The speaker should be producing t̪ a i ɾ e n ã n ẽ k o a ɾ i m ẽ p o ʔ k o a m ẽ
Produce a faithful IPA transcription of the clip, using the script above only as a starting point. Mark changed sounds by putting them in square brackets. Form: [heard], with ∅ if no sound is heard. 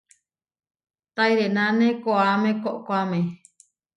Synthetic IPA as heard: t̪ a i ɾ e n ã n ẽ k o a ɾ [a] m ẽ [k] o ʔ k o a m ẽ